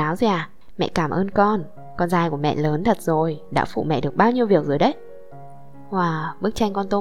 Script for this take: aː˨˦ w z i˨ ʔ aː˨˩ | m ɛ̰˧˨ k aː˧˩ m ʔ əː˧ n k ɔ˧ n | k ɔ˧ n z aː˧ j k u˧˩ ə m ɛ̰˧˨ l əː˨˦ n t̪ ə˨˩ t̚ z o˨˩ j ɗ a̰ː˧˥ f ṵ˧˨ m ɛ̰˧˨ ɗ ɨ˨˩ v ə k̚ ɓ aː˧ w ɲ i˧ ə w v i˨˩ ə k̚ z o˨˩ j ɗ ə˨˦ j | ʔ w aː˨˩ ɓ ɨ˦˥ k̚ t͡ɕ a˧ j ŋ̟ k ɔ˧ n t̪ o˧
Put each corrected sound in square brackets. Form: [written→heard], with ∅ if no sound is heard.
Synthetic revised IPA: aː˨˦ w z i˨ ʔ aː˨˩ | m ɛ̰˧˨ k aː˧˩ m ʔ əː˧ n k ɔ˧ n | k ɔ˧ n z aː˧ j k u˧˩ ə m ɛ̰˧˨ l əː˨˦ n [t̪→t̪ʰ] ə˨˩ t̚ z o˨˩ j ɗ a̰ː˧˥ f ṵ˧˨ m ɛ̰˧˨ ɗ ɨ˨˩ [v→∅] ə k̚ ɓ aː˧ w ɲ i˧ ə w v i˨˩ ə k̚ z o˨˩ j ɗ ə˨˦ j | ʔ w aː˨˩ ɓ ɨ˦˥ k̚ t͡ɕ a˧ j ŋ̟ k ɔ˧ n t̪ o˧